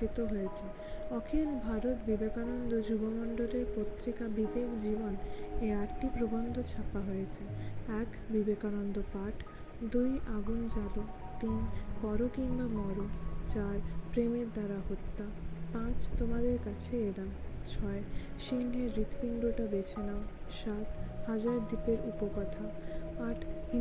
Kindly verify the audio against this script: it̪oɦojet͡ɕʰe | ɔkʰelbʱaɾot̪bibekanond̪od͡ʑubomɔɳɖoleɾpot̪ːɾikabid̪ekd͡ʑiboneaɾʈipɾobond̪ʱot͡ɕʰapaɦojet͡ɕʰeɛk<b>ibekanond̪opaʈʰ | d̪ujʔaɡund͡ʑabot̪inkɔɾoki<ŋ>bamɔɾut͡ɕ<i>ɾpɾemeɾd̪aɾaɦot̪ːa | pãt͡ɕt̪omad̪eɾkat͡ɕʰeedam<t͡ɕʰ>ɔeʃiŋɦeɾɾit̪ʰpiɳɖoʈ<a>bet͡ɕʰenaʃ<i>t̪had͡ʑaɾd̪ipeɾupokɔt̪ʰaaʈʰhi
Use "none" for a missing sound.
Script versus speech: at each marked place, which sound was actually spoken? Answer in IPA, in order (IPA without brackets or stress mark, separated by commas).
b, m, a, t͡ɕʰ, a, a